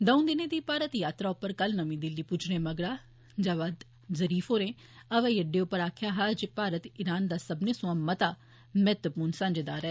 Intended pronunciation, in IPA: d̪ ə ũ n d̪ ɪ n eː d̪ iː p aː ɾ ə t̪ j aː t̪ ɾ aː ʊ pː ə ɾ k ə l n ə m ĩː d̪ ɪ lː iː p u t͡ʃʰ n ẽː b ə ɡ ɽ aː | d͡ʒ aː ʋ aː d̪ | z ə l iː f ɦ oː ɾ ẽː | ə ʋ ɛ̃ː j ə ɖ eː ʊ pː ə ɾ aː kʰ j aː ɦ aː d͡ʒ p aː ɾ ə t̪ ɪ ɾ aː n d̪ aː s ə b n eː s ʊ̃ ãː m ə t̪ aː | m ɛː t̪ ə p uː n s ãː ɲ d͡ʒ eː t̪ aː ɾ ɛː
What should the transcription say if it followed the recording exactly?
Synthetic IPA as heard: d̪ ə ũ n d̪ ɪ n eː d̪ iː p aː ɾ ə t̪ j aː t̪ ɾ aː ʊ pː ə ɾ k ə l n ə m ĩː d̪ ɪ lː iː p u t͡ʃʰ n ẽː m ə ɡ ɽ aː | d͡ʒ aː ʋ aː d̪ | z ə ɾ iː f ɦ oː ɾ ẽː | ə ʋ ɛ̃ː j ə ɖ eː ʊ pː ə ɾ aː kʰ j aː ɦ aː d͡ʒ p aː ɾ ə t̪ ɪ ɾ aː n d̪ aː s ə b n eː s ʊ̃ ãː m ə t̪ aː | m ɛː t̪ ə p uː n s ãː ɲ d͡ʒ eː d̪ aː ɾ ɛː